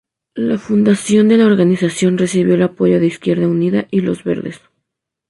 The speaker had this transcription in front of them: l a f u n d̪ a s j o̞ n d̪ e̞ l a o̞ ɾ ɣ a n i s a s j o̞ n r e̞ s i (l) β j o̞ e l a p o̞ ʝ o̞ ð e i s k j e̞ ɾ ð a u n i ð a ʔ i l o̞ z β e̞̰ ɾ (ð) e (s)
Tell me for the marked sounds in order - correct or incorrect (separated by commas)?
incorrect, correct, correct